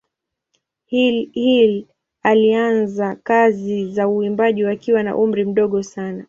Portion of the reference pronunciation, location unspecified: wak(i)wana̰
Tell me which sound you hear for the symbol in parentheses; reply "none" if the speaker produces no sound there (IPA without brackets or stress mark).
i